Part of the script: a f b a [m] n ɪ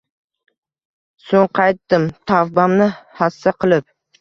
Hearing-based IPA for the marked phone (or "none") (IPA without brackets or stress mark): m